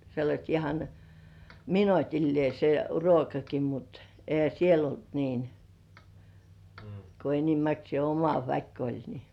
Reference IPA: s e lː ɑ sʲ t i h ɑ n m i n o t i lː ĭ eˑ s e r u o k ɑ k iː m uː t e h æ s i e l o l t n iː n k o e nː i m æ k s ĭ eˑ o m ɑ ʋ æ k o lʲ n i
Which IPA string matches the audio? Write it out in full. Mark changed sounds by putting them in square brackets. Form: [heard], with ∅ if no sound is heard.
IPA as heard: s e lː ɑ sʲ t i h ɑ n m i n o t i lː ĭ eˑ s e r u o k ɑ k [i] m [u] t e h æ s i e l o l t n iː n k o e [n] i m æ k s ĭ eˑ o m ɑ ʋ æ k o lʲ n i